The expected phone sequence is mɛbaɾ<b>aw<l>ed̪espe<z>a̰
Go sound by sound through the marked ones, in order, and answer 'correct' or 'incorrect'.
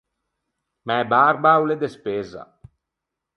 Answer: correct, correct, correct

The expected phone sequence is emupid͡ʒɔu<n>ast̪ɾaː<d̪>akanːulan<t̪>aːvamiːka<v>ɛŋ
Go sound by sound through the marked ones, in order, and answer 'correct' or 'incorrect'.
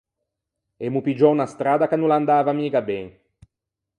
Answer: correct, correct, incorrect: d̪, incorrect: b

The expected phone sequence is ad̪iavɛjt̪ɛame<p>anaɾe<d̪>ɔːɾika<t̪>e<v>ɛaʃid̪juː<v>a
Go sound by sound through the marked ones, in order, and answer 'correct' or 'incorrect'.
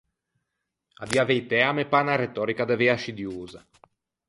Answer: correct, incorrect: t̪, incorrect: d̪, correct, incorrect: z

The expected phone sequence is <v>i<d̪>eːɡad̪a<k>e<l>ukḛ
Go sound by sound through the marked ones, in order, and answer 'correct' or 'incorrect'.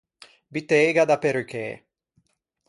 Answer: incorrect: b, incorrect: t̪, incorrect: p, incorrect: ɾ

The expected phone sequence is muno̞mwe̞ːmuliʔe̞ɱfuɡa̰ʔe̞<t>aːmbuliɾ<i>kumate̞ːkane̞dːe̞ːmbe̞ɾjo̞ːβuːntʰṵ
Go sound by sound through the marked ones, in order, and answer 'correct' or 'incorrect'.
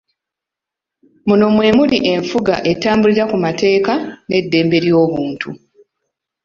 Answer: correct, incorrect: a

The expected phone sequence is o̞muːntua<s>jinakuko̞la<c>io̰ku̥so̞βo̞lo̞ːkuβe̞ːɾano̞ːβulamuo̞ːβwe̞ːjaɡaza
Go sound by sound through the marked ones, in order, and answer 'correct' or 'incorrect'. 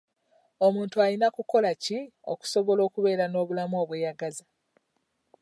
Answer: incorrect: none, correct

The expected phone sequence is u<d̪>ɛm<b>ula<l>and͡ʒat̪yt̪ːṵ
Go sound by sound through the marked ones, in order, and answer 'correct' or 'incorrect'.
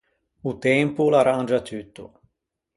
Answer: incorrect: t̪, incorrect: p, incorrect: ɾ

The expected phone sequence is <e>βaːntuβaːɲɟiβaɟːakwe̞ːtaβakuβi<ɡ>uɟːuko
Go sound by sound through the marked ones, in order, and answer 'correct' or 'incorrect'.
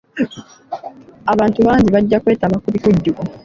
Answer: incorrect: a, incorrect: k

